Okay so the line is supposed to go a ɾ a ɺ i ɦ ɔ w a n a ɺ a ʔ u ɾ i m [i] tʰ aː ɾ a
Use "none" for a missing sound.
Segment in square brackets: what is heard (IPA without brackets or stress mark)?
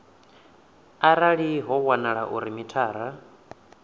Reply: i